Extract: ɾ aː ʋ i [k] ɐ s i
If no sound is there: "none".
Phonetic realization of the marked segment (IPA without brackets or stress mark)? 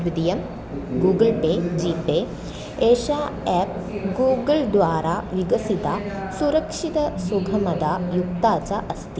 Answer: ɡ